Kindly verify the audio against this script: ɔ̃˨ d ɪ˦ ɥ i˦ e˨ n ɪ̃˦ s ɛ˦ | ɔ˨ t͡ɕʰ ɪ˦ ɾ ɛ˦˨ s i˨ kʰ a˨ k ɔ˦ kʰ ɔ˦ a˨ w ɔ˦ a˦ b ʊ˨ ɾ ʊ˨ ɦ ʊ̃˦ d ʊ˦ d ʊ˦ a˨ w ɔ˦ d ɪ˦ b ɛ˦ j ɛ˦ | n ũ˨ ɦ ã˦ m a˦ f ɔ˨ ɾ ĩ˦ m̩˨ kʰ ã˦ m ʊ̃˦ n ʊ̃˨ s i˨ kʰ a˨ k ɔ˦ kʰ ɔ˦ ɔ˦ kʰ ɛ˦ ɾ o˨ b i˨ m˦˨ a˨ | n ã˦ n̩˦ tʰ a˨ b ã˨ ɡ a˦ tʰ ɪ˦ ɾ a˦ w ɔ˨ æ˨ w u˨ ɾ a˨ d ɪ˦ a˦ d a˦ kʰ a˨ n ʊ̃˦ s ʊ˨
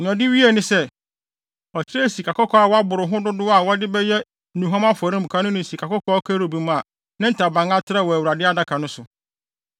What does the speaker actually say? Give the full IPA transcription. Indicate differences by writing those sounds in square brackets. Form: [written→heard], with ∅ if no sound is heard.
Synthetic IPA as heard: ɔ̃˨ d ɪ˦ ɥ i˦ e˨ n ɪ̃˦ s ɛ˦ | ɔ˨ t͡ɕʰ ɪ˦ ɾ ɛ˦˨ s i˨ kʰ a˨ k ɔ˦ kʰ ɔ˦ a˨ w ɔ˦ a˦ b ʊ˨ ɾ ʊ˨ ɦ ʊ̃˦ d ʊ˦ d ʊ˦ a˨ w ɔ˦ d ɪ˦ b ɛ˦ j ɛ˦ | n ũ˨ ɦ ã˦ m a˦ f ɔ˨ ɾ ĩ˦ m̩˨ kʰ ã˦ [m→n] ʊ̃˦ n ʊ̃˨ s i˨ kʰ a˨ k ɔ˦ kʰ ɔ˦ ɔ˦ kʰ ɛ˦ ɾ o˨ b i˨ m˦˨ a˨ | n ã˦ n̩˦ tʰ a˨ b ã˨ [ɡ→ŋ] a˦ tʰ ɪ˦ ɾ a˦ w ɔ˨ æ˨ w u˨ ɾ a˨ d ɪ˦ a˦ d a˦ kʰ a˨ n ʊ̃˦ s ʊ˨

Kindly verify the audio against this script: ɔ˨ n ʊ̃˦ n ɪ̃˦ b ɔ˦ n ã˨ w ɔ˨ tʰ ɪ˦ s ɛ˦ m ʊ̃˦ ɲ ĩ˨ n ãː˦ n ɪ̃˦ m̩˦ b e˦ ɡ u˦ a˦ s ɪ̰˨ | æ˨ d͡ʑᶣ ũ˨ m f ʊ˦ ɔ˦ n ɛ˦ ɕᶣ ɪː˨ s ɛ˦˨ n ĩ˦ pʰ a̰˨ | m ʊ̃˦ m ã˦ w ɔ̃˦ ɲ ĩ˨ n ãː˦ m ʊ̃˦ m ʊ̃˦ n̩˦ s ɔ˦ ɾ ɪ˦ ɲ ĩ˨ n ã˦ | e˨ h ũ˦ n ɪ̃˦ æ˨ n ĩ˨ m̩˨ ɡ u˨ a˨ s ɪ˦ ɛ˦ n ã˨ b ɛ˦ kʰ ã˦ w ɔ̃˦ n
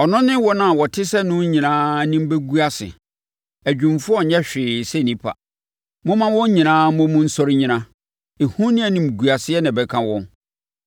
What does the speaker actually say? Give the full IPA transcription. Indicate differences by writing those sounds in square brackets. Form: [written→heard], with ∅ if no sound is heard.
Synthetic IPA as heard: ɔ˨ n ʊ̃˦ n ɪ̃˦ [b→w] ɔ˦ n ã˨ w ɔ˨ tʰ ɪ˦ s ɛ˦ [m→n] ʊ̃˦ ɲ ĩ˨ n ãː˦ n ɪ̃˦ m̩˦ b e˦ ɡ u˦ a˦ s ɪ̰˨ | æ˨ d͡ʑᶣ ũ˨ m f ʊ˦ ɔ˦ [n→ɲ] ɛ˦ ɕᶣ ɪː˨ s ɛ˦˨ n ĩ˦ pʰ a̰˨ | m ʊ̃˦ m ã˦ w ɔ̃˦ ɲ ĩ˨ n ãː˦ m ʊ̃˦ m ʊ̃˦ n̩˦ s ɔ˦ ɾ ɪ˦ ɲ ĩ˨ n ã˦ | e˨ h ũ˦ n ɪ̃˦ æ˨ n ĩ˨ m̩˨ ɡ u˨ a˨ s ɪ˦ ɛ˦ n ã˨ b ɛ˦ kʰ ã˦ w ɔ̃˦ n

